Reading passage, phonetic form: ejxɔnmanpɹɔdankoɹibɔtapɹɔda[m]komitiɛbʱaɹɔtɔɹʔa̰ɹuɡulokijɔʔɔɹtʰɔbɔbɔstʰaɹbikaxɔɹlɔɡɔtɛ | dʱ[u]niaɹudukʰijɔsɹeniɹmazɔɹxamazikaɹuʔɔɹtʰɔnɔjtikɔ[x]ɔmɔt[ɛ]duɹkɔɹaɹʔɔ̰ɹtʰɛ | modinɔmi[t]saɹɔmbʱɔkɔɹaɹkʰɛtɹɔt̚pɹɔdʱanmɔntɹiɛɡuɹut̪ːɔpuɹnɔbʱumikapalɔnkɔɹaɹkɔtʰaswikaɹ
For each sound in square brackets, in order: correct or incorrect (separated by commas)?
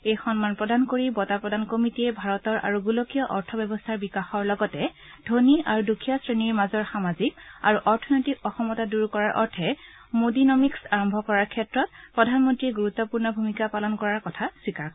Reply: incorrect, incorrect, correct, incorrect, incorrect